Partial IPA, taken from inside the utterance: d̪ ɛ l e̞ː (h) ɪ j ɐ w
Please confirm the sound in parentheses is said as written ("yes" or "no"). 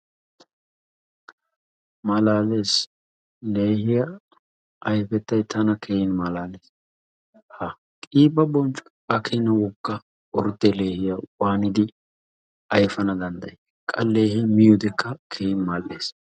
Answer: yes